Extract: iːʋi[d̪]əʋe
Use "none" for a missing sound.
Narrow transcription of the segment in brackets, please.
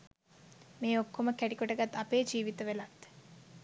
t̪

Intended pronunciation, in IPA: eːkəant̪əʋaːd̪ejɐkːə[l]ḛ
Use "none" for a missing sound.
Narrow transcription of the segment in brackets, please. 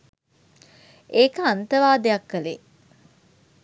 l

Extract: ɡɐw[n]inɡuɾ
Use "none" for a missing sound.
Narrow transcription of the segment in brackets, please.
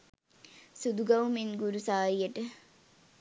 m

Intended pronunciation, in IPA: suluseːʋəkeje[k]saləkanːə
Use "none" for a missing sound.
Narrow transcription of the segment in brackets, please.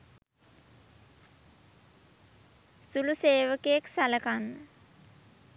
k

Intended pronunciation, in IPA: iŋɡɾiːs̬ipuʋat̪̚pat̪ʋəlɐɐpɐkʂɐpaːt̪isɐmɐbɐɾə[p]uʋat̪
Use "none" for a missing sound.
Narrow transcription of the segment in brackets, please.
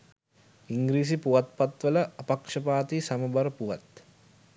p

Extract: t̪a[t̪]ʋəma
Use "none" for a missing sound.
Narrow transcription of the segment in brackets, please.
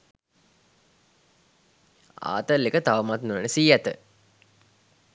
none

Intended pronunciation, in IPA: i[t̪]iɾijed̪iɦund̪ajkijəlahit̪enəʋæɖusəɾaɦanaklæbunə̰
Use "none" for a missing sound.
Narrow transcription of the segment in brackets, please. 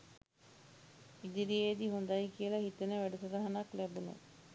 d̪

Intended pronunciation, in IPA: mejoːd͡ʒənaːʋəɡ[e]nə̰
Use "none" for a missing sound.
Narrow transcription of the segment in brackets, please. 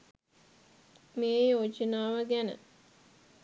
æ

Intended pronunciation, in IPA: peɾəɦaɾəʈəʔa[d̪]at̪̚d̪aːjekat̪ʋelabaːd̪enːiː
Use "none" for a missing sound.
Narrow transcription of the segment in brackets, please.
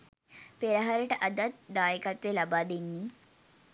d̪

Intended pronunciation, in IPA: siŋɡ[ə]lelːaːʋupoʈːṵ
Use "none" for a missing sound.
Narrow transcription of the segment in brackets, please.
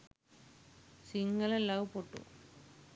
ɐ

